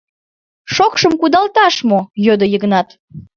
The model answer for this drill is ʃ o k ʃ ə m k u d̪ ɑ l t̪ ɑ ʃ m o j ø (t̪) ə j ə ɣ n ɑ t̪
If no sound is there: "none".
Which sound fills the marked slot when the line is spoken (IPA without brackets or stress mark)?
d̪